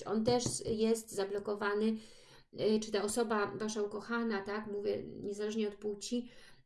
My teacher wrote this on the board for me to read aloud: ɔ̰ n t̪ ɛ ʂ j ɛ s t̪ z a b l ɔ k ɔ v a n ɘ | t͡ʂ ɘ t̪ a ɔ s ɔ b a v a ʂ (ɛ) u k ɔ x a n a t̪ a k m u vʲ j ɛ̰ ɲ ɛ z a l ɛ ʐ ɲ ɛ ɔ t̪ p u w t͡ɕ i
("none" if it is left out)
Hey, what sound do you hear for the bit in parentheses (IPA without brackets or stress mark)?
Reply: a